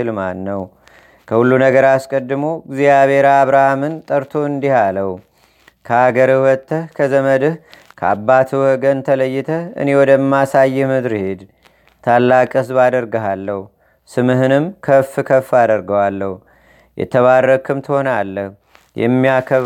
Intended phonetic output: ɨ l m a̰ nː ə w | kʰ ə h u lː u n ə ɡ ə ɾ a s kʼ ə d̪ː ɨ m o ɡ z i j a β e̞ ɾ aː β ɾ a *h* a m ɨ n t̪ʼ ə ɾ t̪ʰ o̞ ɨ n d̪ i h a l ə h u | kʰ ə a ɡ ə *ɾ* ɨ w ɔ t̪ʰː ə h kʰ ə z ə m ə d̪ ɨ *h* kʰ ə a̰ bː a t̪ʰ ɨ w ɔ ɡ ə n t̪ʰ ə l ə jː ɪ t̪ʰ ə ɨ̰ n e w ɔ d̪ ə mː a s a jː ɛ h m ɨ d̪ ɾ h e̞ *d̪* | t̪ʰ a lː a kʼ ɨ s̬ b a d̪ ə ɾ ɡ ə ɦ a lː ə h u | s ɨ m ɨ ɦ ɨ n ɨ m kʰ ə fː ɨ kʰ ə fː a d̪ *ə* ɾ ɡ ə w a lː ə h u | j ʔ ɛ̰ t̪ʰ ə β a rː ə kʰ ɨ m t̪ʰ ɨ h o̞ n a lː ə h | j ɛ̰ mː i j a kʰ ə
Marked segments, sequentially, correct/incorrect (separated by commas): correct, correct, correct, correct, correct